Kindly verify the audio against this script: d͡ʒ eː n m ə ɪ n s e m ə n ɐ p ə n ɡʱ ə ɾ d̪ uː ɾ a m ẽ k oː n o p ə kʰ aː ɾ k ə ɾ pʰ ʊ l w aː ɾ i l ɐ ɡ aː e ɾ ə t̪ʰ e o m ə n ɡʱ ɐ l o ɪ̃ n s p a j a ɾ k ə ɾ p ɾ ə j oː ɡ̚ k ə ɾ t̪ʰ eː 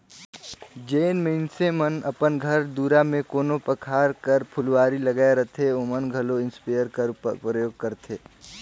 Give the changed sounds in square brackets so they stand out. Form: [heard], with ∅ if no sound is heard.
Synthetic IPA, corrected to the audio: d͡ʒ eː n m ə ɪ n s e m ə n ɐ p ə n ɡʱ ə ɾ d̪ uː ɾ a m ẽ k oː n o p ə kʰ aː ɾ k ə ɾ pʰ ʊ l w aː ɾ i l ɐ ɡ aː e ɾ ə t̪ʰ e o m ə n ɡʱ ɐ l o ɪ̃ n s p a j [ə] ɾ k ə ɾ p ɾ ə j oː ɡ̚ k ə ɾ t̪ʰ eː

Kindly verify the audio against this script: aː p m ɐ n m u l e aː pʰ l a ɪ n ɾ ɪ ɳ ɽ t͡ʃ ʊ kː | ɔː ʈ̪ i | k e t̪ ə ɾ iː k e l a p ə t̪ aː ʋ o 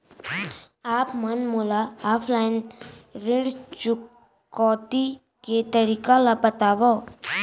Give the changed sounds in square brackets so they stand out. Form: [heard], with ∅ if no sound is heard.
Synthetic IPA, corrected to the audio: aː p m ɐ n m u l [a] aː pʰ l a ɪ n ɾ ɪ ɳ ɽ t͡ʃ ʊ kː | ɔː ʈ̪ i | k e t̪ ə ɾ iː k [a] l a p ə t̪ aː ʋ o

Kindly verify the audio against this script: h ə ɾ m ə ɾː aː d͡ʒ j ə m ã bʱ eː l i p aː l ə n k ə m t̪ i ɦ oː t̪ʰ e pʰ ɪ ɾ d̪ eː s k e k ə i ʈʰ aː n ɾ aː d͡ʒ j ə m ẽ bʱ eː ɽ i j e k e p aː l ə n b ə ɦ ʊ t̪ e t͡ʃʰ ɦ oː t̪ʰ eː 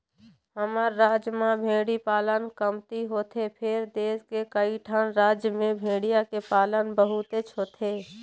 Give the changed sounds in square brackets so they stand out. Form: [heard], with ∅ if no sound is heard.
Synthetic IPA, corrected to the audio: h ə [∅] m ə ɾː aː d͡ʒ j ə m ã bʱ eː [ɽ] i p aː l ə n k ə m t̪ i ɦ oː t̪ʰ e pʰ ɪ ɾ d̪ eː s k e k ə i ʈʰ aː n ɾ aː d͡ʒ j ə m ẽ bʱ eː ɽ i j [a] k e p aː l ə n b ə ɦ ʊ t̪ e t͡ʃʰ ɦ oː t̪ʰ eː

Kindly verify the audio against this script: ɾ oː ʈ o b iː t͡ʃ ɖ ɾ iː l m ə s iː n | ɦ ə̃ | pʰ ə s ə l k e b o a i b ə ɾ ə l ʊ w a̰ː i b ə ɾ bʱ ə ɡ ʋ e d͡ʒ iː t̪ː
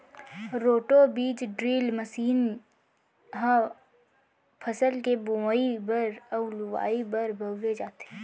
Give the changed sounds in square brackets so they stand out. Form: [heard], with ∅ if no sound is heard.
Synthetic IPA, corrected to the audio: ɾ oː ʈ o b iː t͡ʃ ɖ ɾ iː l m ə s iː n | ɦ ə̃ | pʰ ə s ə l k e b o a i b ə ɾ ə l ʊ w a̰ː i b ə ɾ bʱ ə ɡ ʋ e d͡ʒ [aː] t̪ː

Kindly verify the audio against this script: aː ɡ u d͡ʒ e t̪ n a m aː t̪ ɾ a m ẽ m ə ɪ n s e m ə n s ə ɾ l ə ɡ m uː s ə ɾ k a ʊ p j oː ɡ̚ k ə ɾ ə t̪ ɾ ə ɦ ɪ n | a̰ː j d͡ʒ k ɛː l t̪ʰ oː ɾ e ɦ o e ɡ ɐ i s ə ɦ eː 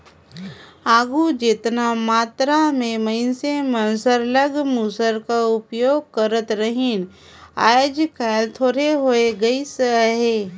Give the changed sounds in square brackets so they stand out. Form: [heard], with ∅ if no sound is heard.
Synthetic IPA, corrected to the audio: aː ɡ u d͡ʒ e t̪ n a m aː t̪ ɾ a m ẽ m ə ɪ n s e m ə n s ə ɾ l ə ɡ m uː s ə ɾ k a ʊ p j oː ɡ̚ k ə ɾ ə t̪ ɾ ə ɦ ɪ n | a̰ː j d͡ʒ k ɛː l t̪ʰ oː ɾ e ɦ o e ɡ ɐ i s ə ɦ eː

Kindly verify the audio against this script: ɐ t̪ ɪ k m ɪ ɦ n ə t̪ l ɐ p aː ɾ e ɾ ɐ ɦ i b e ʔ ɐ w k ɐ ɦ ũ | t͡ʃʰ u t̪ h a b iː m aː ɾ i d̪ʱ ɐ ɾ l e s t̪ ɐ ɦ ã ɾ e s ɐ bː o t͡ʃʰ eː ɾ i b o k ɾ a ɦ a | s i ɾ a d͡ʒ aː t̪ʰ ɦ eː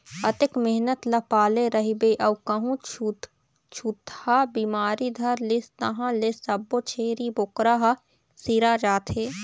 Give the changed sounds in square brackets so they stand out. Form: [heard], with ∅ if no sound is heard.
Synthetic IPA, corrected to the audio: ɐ t̪ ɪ k m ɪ ɦ n ə t̪ l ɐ p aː [l] e ɾ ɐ ɦ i b e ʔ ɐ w k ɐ ɦ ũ | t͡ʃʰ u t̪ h a b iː m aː ɾ i d̪ʱ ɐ ɾ l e s t̪ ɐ ɦ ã [l] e s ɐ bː o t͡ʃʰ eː ɾ i b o k ɾ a ɦ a | s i ɾ a d͡ʒ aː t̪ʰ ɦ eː

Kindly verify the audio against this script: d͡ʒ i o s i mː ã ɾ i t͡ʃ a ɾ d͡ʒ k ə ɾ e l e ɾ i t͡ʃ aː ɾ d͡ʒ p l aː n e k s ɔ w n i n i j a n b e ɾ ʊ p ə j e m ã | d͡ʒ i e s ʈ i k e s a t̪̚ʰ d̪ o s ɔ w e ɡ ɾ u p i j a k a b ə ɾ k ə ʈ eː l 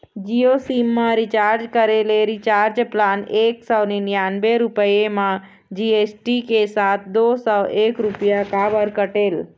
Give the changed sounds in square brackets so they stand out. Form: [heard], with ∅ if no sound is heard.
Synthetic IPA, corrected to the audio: d͡ʒ i o s i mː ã ɾ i t͡ʃ a ɾ d͡ʒ k ə ɾ e l e ɾ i t͡ʃ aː ɾ d͡ʒ p l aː n e k s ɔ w n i n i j a n b e ɾ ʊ p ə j e m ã | d͡ʒ i e s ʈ i k e s a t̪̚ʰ d̪ o s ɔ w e [k] ɾ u p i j a k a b ə ɾ k ə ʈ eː l

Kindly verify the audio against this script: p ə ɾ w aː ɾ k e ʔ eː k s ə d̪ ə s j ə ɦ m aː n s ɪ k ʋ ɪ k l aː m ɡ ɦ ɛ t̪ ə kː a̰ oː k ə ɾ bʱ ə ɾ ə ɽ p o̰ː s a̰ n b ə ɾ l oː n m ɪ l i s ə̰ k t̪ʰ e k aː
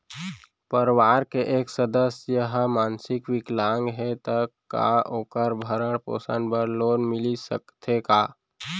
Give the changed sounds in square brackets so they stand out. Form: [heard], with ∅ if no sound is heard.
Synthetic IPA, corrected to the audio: p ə ɾ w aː ɾ k e ʔ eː k s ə d̪ ə s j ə ɦ m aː n s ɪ k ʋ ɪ k l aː [ŋ] ɡ ɦ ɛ t̪ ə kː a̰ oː k ə ɾ bʱ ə ɾ ə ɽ p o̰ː s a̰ n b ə ɾ l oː n m ɪ l i s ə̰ k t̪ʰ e k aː

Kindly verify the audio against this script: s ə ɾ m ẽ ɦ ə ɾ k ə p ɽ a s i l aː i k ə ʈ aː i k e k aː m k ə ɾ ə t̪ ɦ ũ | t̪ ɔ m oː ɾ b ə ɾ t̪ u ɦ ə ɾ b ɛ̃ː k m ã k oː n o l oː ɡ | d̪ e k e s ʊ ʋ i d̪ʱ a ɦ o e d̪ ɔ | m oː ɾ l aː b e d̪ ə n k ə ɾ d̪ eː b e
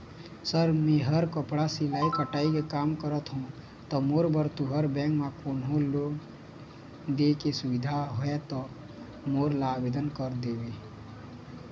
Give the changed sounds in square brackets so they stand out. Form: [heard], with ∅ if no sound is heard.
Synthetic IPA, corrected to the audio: s ə ɾ m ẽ ɦ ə ɾ k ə p ɽ a s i l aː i k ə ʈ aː i k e k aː m k ə ɾ ə t̪ ɦ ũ | t̪ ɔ m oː ɾ b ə ɾ t̪ u ɦ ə ɾ b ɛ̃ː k m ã k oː n o l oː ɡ | d̪ e k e s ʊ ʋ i d̪ʱ a ɦ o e [t̪] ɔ | m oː ɾ l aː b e d̪ ə n k ə ɾ d̪ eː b e

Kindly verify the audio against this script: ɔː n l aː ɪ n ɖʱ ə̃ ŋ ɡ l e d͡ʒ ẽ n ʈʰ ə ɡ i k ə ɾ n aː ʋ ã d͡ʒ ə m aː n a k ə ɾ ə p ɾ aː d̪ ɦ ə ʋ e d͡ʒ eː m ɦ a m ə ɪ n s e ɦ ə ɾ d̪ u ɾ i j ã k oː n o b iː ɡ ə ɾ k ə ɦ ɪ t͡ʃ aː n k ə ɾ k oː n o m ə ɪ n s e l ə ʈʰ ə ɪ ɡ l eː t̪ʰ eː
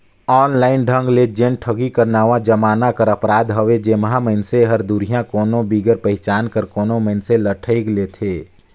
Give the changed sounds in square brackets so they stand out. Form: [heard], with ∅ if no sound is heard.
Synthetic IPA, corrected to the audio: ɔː n l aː ɪ n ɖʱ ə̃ ŋ ɡ l e d͡ʒ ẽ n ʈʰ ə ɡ i k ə ɾ n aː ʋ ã d͡ʒ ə m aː n a k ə ɾ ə p ɾ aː d̪ ɦ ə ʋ e d͡ʒ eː m ɦ a m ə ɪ n s e ɦ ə ɾ d̪ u ɾ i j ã k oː n o b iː ɡ ə ɾ [p] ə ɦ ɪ t͡ʃ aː n k ə ɾ k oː n o m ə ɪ n s e l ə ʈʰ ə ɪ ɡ l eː t̪ʰ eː

